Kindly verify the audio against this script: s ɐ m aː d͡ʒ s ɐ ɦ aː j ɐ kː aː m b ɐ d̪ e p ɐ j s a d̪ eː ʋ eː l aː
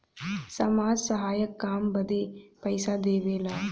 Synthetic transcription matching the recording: s ɐ m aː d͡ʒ s ɐ ɦ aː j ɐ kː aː m b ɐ d̪ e p ɐ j s a d̪ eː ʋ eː l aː